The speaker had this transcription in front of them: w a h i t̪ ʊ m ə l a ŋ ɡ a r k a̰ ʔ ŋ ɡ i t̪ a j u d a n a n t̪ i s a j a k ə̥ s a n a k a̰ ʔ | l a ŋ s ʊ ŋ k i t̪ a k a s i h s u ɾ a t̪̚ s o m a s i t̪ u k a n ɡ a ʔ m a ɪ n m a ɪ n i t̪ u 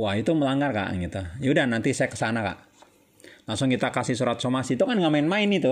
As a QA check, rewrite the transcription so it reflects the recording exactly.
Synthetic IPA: w a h i t̪ u m ə l a ŋ ɡ a r k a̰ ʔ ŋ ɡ i t̪ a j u d a n a n t̪ i s a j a k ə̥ s a n a k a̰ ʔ | l a ŋ s ʊ ŋ k i t̪ a k a s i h s u ɾ a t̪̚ s o m a s i t̪ u k a n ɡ a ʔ m a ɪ n m a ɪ n i t̪ u